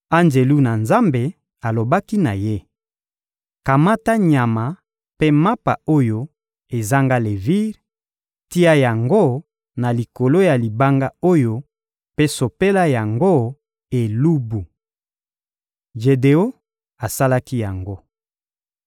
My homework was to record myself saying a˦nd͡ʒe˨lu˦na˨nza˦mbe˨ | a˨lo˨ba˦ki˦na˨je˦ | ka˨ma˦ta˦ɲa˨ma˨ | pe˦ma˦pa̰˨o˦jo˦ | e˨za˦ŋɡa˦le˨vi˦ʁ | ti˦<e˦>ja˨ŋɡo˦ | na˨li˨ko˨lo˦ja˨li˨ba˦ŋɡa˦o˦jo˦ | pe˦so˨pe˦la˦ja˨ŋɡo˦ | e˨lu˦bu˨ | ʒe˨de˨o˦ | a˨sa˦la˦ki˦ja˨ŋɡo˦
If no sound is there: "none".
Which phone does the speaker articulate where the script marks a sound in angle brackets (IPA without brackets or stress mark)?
a˦